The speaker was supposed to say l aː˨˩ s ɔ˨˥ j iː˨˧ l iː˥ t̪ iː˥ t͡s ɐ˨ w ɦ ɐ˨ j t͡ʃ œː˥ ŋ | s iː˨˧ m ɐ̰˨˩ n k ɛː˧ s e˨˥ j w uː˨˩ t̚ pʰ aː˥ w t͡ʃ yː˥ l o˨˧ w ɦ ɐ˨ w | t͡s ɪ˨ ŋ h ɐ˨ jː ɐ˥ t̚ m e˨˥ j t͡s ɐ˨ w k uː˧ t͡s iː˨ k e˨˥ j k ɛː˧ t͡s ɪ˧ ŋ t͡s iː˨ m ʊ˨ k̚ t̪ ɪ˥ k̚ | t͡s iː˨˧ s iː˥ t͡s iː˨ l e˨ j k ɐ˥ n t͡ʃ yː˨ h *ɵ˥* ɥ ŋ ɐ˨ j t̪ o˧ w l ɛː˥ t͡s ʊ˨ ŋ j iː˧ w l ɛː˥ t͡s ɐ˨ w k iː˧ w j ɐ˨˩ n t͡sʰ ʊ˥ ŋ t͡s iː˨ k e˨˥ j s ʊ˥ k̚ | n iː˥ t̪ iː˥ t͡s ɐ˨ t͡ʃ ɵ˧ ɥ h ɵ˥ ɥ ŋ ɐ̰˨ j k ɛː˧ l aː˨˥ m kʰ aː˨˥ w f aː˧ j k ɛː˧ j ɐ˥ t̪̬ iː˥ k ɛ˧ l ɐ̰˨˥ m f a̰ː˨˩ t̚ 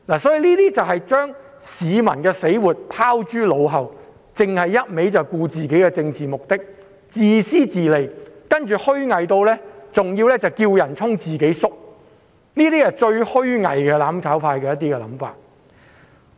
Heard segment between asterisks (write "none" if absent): ɵ˥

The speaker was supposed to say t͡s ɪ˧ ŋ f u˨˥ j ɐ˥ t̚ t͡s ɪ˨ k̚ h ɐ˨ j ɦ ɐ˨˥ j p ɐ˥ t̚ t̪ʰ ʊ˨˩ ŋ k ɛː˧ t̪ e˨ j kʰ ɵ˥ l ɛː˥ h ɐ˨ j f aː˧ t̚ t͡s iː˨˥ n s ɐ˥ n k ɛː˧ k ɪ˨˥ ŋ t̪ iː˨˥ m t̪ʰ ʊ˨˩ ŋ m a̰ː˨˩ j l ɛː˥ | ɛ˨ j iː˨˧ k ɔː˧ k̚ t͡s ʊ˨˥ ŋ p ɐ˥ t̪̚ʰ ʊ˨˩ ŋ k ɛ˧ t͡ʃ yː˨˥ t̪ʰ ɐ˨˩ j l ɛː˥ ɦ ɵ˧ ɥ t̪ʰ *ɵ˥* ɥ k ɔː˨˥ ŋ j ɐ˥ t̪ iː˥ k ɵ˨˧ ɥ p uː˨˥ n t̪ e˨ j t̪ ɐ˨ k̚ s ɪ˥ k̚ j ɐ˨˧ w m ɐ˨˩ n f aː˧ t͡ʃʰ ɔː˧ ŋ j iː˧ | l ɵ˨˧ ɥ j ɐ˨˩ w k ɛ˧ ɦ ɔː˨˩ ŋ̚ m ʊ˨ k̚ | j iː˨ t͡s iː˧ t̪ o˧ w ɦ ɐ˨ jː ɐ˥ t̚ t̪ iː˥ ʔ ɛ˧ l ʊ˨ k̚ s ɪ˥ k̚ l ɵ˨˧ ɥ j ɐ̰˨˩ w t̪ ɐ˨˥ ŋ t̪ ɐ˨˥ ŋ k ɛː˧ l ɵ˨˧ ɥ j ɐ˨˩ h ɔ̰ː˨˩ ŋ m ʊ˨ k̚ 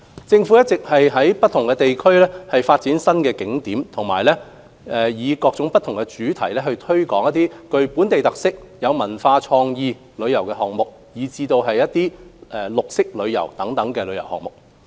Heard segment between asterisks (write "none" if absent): ɵ˥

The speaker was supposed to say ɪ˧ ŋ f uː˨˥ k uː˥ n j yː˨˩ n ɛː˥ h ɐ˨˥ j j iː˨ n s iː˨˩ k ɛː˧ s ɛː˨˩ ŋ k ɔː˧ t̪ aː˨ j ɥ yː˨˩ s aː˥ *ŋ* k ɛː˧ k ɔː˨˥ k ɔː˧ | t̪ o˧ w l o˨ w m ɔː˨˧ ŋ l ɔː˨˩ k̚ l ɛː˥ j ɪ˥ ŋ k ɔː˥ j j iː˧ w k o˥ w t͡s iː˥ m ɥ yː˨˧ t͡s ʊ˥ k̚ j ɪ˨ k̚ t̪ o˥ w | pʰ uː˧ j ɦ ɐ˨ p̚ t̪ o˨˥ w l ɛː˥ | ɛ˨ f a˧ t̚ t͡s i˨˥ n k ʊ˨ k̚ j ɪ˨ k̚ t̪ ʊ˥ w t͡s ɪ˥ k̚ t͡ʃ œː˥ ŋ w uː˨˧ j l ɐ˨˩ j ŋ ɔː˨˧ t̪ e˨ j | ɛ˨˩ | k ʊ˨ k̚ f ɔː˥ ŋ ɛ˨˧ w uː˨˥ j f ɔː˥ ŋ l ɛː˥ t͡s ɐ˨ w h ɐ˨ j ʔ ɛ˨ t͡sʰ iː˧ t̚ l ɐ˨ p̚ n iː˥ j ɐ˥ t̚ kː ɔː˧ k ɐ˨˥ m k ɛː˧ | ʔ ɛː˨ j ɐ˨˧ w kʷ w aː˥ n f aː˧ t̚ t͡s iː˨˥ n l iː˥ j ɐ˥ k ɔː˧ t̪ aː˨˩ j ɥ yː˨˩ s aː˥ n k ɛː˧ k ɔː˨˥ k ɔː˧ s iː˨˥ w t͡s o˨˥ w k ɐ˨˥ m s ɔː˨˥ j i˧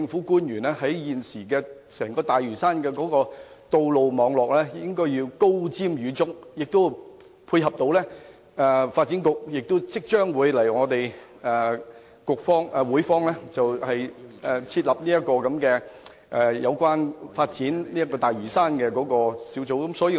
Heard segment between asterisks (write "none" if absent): n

